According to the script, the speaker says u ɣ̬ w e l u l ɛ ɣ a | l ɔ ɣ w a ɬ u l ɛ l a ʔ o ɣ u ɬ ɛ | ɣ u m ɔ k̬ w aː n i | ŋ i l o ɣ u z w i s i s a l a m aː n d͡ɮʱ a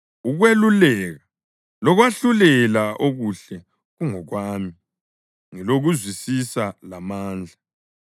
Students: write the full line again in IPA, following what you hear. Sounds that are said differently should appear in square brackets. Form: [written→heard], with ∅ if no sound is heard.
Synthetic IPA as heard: u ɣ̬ w e l u l ɛ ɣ a | l ɔ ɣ w a ɬ u l ɛ l a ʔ o ɣ u ɬ ɛ | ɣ u [m→ŋ] ɔ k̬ w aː [n→m] i | ŋ i l o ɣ u z w i s i s a l a m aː n d͡ɮʱ a

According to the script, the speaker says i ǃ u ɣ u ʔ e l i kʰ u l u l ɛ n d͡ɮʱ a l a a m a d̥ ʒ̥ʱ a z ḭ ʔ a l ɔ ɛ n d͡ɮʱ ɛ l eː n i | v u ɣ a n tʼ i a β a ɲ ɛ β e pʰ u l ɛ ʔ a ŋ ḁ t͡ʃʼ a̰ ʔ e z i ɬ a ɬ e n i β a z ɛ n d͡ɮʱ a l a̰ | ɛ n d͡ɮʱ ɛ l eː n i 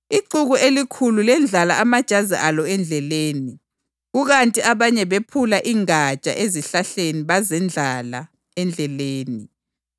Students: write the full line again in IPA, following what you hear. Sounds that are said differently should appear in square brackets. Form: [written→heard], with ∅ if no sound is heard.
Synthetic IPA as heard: i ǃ u ɣ u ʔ e l i kʰ u l u l ɛ n d͡ɮʱ a l a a m a d̥ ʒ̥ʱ a z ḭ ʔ a l ɔ ɛ n d͡ɮʱ ɛ l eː n i | [v→ɣ] u ɣ a n tʼ i a β a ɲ ɛ β e pʰ u l [ɛ→a] ʔ [a→i] ŋ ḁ t͡ʃʼ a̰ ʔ e z i ɬ a ɬ e n i β a z ɛ n d͡ɮʱ a l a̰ | ɛ n d͡ɮʱ ɛ l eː n i

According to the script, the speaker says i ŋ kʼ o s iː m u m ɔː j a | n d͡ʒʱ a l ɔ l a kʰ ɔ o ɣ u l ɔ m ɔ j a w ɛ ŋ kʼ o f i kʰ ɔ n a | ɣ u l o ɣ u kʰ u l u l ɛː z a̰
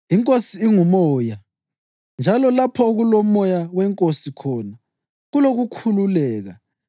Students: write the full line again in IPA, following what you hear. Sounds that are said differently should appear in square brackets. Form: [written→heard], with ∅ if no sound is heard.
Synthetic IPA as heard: i ŋ kʼ o s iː [m→ŋ] u m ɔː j a | n d͡ʒʱ a l ɔ l a [kʰ→pʰ] ɔ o ɣ u l ɔ m ɔ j a w ɛ ŋ kʼ o [f→s] i kʰ ɔ n a | ɣ u l o ɣ u kʰ u l u l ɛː [z→ɣ] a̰

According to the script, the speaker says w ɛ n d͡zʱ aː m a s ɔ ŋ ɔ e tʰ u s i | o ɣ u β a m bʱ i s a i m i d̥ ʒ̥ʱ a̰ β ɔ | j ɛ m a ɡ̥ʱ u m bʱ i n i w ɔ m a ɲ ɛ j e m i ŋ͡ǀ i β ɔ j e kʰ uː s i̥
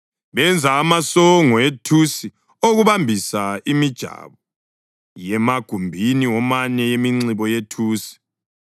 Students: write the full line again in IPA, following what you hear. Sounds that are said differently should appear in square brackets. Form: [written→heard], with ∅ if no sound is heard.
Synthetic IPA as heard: [w→β] ɛ n d͡zʱ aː m a s ɔ ŋ ɔ e tʰ u s i | o ɣ u β a m bʱ i s a i m i d̥ ʒ̥ʱ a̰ β ɔ | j ɛ m a ɡ̥ʱ u m bʱ i n i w ɔ m a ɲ ɛ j e m i ŋ͡ǀ i β ɔ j e [kʰ→tʰ] uː s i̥

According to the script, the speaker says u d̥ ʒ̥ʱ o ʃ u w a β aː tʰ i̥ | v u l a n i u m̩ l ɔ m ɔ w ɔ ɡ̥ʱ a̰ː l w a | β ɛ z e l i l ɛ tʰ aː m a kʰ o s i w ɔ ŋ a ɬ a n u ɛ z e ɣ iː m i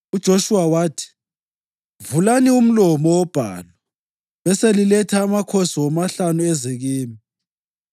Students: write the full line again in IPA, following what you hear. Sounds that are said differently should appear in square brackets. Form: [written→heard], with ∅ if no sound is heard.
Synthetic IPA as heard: u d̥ ʒ̥ʱ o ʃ u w a [β→w] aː tʰ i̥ | v u l a n i u m̩ l ɔ m ɔ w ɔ [ɡ̥ʱ→b̥ʱ] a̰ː l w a | β ɛ [z→s] e l i l ɛ tʰ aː m a kʰ o s i w ɔ [ŋ→m] a ɬ a n u ɛ z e ɣ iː m i

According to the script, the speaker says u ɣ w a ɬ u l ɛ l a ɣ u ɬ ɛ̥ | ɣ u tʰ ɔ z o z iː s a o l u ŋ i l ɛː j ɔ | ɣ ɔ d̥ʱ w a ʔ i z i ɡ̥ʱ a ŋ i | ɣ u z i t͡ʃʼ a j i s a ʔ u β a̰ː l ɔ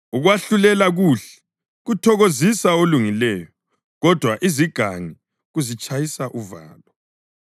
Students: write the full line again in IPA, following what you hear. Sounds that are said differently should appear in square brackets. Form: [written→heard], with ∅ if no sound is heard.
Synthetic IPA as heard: u ɣ w a ɬ u l ɛ l a ɣ u ɬ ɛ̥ | ɣ u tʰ ɔ [z→ɣ] o z [iː→i] s a o l u ŋ i l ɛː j ɔ | ɣ ɔ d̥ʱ w a ʔ i z i ɡ̥ʱ a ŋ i | ɣ u z i t͡ʃʼ a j i s a ʔ u [β→v] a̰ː l ɔ

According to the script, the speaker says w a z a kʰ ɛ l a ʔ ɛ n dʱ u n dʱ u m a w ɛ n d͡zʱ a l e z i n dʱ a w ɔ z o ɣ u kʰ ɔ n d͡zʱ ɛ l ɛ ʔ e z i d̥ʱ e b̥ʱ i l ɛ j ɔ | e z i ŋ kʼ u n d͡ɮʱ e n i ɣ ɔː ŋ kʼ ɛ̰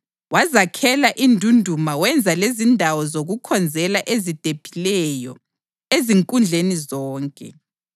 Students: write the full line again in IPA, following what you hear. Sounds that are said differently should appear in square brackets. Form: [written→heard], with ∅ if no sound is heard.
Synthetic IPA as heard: w a z a kʰ ɛ l a ʔ [ɛ→i] n dʱ u n dʱ u m a w ɛ n d͡zʱ a l e z i n dʱ a w ɔ z o ɣ u kʰ ɔ n d͡zʱ ɛ l [ɛ→a] ʔ e z i d̥ʱ e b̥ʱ i l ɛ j ɔ | e z i ŋ kʼ u n d͡ɮʱ e n i [ɣ→z] ɔː ŋ kʼ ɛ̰

